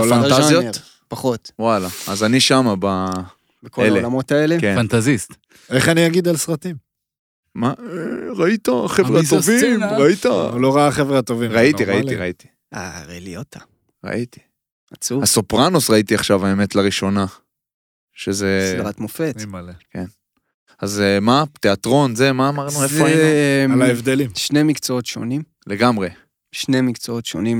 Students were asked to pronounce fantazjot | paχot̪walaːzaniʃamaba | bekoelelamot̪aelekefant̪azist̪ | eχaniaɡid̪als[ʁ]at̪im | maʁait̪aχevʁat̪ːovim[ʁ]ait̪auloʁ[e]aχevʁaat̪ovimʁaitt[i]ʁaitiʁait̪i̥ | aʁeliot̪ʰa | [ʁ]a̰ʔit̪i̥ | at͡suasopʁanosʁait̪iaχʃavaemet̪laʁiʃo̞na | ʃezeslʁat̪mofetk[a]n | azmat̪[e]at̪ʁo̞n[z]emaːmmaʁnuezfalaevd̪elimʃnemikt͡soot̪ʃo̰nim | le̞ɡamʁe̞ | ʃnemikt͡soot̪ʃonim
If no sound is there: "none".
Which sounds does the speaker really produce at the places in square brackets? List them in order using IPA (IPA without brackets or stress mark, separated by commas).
ʁ, ʁ, a, i, ʁ, e, e, z